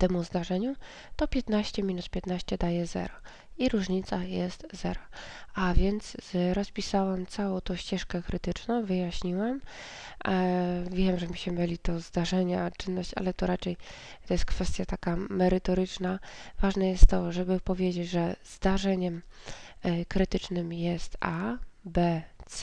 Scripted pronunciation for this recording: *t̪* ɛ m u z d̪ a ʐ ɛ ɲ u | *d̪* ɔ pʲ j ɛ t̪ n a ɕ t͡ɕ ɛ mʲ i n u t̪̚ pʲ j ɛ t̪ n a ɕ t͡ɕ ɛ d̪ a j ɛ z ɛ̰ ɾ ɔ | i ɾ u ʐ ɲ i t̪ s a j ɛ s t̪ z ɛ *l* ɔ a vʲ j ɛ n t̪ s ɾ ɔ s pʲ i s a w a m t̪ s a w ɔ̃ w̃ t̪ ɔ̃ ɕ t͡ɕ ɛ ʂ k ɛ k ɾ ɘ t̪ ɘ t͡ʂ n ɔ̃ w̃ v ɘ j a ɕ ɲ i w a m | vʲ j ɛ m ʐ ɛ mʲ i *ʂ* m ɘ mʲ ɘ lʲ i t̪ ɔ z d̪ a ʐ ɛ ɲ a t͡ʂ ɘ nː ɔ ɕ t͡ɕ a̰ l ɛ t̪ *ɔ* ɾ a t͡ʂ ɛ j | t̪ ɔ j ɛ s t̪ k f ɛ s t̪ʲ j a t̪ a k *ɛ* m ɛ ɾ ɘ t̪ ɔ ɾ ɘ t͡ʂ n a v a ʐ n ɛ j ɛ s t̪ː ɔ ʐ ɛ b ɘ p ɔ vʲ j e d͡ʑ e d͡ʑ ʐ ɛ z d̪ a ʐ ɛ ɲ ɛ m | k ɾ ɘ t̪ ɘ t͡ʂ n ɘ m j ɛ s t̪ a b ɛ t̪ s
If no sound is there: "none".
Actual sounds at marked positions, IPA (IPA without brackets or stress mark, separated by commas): t̪, t̪, ɾ, ɕ, ɔ, a